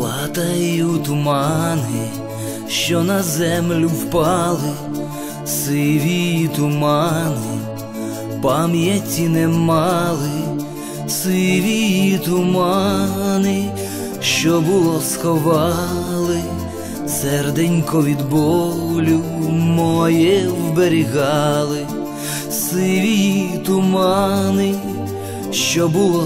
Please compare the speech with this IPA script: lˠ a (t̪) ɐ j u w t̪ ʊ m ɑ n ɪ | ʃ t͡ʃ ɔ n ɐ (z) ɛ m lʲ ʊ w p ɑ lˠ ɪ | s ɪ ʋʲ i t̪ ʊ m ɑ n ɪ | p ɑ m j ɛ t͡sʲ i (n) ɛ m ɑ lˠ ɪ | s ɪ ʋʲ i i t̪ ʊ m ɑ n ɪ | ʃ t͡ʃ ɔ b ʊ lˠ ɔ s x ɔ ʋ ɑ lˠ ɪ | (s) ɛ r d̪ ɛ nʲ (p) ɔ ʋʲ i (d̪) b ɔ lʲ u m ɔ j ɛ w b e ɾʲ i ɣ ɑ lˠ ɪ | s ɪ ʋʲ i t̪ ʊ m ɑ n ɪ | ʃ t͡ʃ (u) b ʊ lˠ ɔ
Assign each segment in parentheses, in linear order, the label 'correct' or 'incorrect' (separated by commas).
correct, correct, correct, correct, incorrect, correct, incorrect